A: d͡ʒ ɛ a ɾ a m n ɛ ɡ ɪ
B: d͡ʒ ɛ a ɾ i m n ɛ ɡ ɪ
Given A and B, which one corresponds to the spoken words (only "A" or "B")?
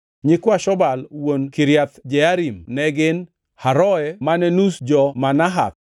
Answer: B